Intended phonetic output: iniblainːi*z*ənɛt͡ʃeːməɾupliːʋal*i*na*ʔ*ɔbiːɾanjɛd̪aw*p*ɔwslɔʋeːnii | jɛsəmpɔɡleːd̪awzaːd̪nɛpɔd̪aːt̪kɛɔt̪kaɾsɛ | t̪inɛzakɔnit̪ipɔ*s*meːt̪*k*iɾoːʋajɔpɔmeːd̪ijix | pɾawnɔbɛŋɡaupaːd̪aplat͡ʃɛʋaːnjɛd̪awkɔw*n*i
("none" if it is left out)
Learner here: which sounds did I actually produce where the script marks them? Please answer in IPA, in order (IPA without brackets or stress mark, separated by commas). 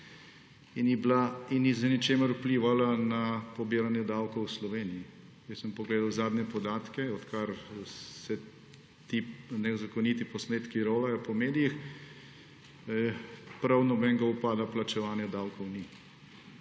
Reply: z, a, p, k, s, k, n